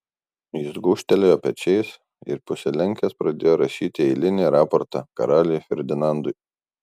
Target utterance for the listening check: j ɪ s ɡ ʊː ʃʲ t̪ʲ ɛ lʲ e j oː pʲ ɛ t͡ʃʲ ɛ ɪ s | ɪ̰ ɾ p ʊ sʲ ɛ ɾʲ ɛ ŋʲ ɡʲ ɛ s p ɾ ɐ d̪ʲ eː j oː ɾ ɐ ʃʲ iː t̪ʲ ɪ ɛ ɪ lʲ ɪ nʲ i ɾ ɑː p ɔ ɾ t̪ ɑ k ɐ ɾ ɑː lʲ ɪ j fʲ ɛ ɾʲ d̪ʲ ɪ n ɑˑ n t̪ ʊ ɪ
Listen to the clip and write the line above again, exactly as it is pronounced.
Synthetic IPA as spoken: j ɪ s ɡ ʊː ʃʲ t̪ʲ ɛ lʲ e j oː pʲ ɛ t͡ʃʲ ɛ ɪ s | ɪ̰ ɾ p ʊ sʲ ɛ lʲ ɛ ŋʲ kʲ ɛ s p ɾ ɐ d̪ʲ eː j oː ɾ ɐ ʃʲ iː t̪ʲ ɪ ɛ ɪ lʲ ɪ nʲ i ɾ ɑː p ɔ ɾ t̪ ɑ k ɐ ɾ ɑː lʲ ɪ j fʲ ɛ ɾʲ d̪ʲ ɪ n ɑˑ n d̪ ʊ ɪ